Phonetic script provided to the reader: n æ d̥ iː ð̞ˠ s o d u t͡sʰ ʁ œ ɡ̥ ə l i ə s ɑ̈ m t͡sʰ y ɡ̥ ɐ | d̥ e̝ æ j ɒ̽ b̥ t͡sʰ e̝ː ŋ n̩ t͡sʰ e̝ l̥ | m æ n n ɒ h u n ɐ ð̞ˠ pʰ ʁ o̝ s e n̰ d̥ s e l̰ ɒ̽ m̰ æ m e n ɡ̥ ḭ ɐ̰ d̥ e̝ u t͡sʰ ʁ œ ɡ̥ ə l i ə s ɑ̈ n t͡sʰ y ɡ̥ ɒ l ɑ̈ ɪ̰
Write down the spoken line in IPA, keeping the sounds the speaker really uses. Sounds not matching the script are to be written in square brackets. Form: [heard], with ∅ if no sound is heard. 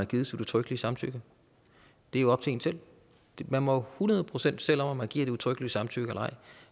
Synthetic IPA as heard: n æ [ɡ̥] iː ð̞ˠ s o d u t͡sʰ ʁ œ ɡ̥ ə l i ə s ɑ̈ m t͡sʰ y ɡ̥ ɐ | d̥ e̝ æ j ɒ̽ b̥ t͡sʰ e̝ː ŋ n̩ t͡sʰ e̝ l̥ | m æ n [m] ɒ h u n ɐ ð̞ˠ pʰ ʁ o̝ s e n̰ d̥ s e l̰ ɒ̽ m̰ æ m [æ] n ɡ̥ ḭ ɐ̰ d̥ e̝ u t͡sʰ ʁ œ ɡ̥ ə l i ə s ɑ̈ [m] t͡sʰ y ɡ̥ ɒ l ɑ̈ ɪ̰

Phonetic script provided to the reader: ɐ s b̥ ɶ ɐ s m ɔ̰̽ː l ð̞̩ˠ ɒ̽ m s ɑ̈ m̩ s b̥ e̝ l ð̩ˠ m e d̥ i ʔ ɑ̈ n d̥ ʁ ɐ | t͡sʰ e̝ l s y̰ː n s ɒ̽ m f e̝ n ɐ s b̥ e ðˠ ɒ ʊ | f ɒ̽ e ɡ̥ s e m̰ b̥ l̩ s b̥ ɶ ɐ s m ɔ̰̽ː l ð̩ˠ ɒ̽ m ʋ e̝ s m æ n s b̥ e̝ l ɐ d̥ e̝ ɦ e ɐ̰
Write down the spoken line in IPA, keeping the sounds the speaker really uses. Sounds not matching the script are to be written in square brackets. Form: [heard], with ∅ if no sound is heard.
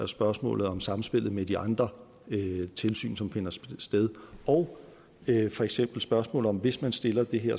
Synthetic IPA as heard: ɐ s b̥ ɶ ɐ s m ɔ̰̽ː l ð̞̩ˠ ɒ̽ m s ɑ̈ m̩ s b̥ e̝ l ð̩ˠ m e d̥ i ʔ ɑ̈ n d̥ ʁ ɐ | t͡sʰ e̝ l s y̰ː n s ɒ̽ m f e̝ n ɐ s [d̥] e ðˠ ɒ ʊ | f ɒ̽ e ɡ̥ s e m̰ b̥ l̩ s b̥ ɶ ɐ s m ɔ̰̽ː l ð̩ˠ ɒ̽ m ʋ e̝ s m æ n s [d̥] e̝ l ɐ d̥ e̝ ɦ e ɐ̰

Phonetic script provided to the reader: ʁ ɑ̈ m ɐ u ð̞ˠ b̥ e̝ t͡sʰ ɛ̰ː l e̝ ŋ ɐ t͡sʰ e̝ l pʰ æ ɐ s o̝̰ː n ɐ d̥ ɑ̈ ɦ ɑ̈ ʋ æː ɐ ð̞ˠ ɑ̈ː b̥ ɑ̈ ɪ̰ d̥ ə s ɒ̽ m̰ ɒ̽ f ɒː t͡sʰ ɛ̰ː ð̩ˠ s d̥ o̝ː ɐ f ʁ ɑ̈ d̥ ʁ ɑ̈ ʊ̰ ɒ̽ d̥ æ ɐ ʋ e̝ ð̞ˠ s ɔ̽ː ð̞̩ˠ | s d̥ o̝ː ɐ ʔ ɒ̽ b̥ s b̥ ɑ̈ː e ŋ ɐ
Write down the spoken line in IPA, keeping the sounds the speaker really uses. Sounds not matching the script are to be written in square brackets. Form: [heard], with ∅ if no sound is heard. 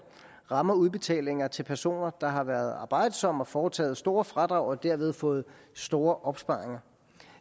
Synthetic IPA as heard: ʁ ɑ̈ m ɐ u ð̞ˠ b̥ e̝ t͡sʰ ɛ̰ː l e̝ ŋ ɐ t͡sʰ e̝ l pʰ æ ɐ s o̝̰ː n ɐ d̥ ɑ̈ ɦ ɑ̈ ʋ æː ɐ ð̞ˠ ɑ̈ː b̥ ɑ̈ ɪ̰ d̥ ə s ɒ̽ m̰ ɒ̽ f ɒː t͡sʰ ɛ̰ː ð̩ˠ s d̥ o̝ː ɐ f ʁ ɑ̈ d̥ ʁ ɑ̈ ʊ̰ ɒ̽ d̥ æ ɐ ʋ e̝ ð̞ˠ [f] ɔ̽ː ð̞̩ˠ | s d̥ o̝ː ɐ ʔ ɒ̽ b̥ s b̥ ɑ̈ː e ŋ ɐ

